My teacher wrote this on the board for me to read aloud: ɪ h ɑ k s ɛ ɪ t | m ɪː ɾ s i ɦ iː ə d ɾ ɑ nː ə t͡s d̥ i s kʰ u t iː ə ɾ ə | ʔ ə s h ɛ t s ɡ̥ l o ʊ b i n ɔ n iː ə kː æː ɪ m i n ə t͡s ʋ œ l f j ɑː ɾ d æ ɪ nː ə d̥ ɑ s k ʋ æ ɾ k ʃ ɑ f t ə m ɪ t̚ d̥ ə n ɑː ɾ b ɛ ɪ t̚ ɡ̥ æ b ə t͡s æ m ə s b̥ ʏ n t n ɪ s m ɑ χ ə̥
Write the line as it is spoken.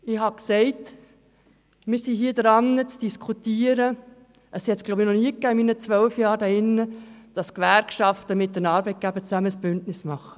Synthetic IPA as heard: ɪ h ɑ k s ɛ ɪ t | m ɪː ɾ s i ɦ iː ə d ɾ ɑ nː ə t͡s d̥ i s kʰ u t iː ə ɾ ə | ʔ ə s h ɛ t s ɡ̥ l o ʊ b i n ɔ n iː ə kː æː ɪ m i n ə t͡s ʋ œ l f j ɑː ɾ d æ ɪ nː ə d̥ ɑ s k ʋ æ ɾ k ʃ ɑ f t ə m ɪ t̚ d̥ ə n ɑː ɾ b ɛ ɪ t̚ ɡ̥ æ b ə t͡s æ m ə s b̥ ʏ n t n ɪ s m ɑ χ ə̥